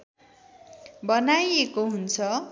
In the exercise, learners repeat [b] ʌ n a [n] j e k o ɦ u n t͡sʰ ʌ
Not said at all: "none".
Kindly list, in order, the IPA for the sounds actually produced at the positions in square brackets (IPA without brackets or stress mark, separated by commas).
b, none